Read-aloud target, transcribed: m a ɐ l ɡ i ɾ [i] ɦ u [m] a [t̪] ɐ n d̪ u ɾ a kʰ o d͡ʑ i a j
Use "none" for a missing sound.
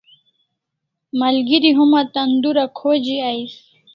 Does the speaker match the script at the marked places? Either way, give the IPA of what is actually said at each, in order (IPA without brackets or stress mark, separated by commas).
i, m, t̪